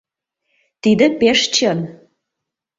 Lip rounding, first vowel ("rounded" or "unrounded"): unrounded